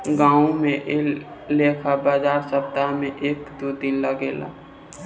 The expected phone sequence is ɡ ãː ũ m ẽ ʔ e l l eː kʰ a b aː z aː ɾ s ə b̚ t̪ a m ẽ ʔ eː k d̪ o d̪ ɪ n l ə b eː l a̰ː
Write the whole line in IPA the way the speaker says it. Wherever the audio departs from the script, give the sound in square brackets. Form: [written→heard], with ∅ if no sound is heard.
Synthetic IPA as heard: ɡ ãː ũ m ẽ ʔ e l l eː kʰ a b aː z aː ɾ s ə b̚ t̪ a m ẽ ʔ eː k d̪ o d̪ ɪ n l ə [b→ɡ] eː l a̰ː